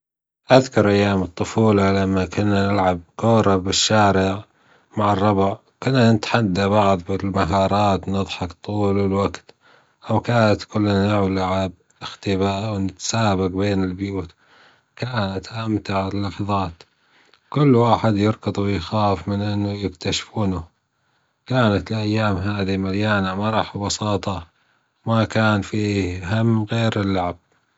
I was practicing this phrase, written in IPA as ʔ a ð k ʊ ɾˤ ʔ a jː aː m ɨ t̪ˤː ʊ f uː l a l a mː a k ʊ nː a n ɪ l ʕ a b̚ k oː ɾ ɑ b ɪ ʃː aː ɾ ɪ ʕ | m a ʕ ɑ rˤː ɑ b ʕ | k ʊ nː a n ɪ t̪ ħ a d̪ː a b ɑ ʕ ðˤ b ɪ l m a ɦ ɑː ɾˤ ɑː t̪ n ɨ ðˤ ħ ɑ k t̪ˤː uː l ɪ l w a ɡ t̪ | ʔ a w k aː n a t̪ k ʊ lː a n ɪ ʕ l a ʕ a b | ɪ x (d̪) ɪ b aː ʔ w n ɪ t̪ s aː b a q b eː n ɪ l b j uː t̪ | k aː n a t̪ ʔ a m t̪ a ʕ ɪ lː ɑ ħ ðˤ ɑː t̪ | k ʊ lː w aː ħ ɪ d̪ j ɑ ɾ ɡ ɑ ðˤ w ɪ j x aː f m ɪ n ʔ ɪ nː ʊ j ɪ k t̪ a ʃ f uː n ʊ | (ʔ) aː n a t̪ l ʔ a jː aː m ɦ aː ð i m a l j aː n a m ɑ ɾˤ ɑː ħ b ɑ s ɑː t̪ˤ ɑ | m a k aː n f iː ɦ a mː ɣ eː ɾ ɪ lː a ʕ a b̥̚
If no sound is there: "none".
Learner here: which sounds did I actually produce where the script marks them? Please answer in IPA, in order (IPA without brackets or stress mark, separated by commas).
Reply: t̪, k